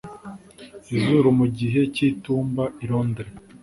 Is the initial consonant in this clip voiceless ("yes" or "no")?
no